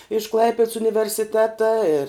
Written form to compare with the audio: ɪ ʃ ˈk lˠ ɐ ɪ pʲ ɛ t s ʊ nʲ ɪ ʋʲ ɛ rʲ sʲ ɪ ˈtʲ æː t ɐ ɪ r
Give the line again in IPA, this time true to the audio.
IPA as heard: ɪ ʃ ˈk lˠ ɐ ɪ pʲ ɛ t s ʊ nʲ ɪ ʋʲ ɛ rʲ sʲ ɪ ˈtʲ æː t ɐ ɪ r